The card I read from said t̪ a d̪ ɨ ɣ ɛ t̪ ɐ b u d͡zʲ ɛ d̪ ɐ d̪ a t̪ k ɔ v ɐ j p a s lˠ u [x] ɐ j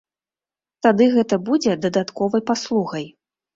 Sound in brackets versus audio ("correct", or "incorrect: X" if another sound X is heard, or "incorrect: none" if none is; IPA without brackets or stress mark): incorrect: ɣ